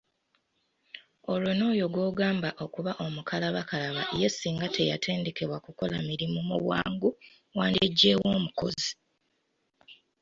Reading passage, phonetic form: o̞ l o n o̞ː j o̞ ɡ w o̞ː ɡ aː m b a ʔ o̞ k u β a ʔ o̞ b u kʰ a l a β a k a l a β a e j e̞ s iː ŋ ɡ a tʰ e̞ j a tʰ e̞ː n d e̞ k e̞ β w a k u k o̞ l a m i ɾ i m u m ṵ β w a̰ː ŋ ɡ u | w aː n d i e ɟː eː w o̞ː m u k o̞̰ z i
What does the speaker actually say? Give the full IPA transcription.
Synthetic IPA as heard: o̞ l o n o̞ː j o̞ ɡ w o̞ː ɡ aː m b a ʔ o̞ k u β a ʔ o̞ m u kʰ a l a β a k a l a β a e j e̞ s iː ŋ ɡ a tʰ e̞ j a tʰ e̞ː n d e̞ k e̞ β w a k u k o̞ l a m i ɾ i m u m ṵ β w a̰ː ŋ ɡ u | w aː n d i e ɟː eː w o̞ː m u k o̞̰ z i